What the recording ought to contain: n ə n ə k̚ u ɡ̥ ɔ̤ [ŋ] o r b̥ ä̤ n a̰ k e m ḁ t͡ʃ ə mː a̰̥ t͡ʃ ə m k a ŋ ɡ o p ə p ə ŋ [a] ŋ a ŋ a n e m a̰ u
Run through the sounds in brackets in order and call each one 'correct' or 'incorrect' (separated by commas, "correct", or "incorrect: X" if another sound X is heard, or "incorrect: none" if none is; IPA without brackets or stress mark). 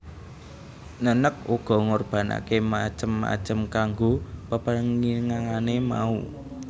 correct, incorrect: i